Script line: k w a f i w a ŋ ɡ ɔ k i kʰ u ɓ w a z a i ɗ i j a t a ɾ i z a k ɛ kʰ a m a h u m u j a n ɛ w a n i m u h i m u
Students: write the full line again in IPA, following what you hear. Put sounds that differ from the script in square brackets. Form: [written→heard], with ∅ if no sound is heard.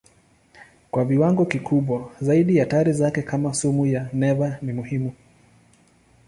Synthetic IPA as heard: k w a [f→v] i w a ŋ ɡ ɔ k i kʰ u ɓ w a z a i ɗ i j a t a ɾ i z a k ɛ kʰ a m a [h→s] u m u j a n ɛ [w→v] a n i m u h i m u